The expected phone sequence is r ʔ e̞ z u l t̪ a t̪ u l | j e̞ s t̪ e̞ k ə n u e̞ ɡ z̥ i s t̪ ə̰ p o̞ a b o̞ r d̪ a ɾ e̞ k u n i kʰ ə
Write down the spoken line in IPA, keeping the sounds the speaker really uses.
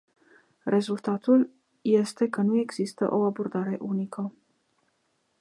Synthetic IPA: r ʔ e̞ z u l t̪ a t̪ u l | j e̞ s t̪ e̞ k ə n u e̞ ɡ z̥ i s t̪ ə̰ ʔ o̞ a b o̞ r d̪ a ɾ e̞ ʔ u n i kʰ ə